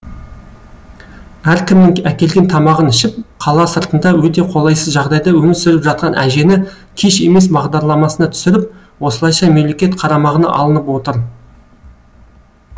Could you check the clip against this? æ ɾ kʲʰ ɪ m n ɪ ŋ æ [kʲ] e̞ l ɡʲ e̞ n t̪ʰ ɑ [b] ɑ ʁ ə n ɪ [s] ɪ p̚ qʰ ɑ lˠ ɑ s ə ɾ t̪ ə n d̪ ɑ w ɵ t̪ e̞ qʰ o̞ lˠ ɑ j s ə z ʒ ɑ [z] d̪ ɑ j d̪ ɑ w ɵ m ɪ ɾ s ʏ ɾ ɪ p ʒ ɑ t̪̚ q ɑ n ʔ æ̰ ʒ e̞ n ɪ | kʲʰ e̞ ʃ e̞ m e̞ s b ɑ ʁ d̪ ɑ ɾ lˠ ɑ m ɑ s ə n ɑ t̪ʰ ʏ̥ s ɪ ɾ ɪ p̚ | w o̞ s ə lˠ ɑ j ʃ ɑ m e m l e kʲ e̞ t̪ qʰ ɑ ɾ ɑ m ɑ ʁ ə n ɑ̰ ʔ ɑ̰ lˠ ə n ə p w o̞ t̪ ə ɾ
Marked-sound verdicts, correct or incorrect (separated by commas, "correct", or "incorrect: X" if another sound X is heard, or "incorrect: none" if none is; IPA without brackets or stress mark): correct, incorrect: m, incorrect: ʃ, incorrect: ʁ